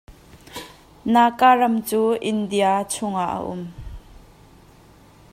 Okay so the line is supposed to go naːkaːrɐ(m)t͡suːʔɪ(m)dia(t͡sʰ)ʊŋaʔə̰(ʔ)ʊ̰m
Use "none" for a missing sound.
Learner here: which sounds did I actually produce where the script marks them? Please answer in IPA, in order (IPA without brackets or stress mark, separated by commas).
m, n, t͡sʰ, ʔ